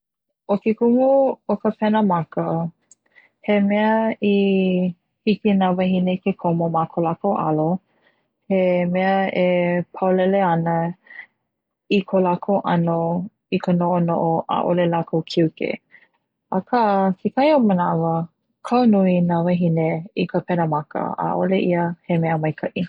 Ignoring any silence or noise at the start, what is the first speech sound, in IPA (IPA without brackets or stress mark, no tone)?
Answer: o